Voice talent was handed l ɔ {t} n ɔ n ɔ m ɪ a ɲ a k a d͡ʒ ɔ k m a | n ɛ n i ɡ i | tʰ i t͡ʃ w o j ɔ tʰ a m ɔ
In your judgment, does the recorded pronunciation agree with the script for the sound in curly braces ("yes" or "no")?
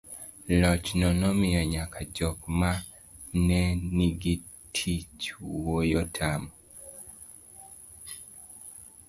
no